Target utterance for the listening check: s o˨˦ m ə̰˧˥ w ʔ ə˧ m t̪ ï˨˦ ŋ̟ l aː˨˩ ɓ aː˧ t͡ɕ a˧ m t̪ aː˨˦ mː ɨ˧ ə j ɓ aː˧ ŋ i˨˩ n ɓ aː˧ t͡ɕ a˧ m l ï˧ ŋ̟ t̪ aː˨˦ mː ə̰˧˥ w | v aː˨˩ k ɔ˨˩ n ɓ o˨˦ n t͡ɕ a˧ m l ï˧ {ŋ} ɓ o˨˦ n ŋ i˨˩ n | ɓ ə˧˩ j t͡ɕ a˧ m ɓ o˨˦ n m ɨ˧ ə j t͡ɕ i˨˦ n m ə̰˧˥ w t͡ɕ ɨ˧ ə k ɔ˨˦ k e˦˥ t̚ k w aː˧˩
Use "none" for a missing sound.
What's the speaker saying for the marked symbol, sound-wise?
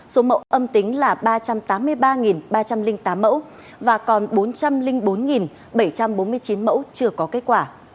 ŋ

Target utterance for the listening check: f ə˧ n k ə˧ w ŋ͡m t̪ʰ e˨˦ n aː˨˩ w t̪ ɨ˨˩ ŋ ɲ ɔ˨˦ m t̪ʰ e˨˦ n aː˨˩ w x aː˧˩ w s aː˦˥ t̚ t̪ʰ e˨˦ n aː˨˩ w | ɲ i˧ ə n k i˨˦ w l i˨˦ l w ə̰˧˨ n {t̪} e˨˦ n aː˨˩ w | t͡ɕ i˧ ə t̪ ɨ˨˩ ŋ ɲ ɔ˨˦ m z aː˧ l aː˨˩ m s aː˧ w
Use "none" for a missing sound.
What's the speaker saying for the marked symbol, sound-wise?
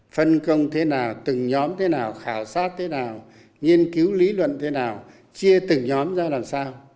t̪ʰ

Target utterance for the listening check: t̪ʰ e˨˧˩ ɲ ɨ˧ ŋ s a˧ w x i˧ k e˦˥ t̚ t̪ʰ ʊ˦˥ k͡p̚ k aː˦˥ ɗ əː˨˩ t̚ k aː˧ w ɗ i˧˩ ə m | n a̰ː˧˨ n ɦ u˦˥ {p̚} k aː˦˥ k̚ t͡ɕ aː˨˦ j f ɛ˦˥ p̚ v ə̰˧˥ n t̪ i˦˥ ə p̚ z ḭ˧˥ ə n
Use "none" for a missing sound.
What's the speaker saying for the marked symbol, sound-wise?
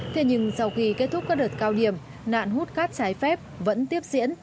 t̚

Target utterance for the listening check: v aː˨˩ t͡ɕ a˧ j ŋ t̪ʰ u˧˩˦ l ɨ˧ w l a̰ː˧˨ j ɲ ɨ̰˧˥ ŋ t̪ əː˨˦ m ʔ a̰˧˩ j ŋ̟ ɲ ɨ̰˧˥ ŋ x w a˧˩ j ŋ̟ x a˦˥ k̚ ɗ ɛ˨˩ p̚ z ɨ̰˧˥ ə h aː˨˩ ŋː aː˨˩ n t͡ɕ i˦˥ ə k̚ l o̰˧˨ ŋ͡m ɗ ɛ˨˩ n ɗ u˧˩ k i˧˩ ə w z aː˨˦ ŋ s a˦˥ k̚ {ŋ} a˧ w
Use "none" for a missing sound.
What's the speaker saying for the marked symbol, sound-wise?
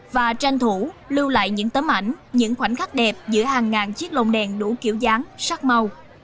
m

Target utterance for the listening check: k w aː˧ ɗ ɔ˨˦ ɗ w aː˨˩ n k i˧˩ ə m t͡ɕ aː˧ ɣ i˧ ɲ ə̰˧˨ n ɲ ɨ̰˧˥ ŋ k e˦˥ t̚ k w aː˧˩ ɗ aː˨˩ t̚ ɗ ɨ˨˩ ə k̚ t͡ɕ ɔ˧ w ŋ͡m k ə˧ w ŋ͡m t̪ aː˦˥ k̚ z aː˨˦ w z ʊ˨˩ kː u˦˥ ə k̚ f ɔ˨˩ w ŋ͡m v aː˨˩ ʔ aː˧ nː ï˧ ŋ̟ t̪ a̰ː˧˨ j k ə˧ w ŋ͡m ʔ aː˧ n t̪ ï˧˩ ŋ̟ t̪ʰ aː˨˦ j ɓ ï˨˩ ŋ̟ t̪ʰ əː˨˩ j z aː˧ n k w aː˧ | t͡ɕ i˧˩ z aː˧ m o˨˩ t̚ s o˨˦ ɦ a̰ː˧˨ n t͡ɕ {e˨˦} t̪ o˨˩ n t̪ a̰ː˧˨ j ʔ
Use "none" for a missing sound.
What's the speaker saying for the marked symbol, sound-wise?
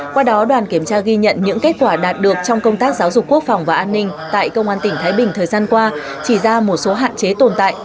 e˨˦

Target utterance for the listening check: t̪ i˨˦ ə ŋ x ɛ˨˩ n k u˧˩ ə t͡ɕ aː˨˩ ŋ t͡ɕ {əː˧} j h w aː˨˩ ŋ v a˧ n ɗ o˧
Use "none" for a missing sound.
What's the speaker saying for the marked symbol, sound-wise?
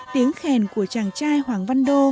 aː˧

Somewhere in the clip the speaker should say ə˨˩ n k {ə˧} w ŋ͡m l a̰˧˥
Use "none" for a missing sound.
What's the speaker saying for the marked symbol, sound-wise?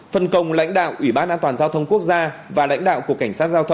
ə˨˩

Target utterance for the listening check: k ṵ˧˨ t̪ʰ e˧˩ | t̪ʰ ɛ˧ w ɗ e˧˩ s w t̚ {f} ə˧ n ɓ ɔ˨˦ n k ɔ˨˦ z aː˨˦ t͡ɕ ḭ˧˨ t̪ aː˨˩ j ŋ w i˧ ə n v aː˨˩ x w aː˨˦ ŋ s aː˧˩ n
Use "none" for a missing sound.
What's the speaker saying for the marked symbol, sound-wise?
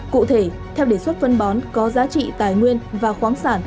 f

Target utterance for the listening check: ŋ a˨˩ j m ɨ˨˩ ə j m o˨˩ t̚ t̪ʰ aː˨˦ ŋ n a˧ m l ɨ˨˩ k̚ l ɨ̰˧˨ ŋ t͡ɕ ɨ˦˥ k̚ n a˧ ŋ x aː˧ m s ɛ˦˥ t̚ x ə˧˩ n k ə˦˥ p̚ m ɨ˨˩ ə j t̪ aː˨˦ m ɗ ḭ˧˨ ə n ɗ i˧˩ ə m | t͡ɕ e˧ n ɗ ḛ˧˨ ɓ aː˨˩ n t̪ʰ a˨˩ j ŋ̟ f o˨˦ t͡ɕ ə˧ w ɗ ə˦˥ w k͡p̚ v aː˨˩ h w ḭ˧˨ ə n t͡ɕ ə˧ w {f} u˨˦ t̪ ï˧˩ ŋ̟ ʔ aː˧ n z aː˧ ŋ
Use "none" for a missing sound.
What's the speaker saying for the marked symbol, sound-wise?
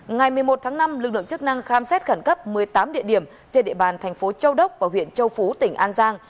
f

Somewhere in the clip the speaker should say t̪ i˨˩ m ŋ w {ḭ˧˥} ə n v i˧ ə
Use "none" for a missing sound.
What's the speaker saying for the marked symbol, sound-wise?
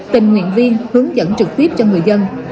ḭ˧˨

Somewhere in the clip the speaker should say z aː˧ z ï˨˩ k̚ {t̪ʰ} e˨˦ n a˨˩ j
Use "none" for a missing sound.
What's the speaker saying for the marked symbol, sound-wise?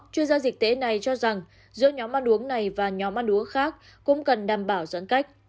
t̪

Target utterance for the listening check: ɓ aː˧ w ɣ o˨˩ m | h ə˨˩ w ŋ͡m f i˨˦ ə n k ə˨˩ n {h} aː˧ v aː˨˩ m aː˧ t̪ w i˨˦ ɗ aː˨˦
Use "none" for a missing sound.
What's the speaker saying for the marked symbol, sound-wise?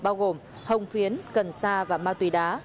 s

